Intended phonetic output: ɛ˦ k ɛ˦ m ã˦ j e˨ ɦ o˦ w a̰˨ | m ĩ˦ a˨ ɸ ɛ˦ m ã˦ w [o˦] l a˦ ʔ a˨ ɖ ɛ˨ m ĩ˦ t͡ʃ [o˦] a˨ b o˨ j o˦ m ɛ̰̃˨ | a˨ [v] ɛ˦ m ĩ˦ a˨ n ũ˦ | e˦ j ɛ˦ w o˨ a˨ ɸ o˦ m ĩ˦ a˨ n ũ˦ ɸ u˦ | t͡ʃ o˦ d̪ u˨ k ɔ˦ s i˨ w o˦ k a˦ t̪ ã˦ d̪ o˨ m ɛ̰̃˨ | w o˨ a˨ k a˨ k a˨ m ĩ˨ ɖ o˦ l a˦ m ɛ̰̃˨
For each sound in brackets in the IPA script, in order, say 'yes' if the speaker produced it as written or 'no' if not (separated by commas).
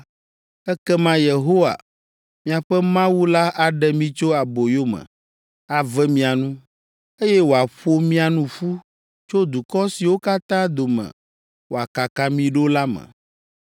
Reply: no, yes, yes